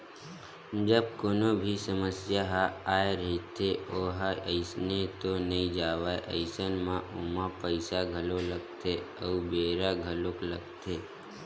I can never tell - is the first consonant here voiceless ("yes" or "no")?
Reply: no